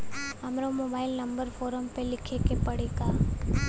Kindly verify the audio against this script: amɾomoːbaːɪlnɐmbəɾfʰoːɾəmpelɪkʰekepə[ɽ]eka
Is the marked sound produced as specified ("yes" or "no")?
yes